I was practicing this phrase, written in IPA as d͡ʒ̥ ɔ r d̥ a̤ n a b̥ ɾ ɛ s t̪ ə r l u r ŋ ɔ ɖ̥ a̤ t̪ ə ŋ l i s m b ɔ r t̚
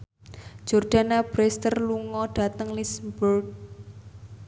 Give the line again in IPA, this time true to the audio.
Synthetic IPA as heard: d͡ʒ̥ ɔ r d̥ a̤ n a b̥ ɾ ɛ s t̪ ə r l u ŋ ɔ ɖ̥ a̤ t̪ ə ŋ l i s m b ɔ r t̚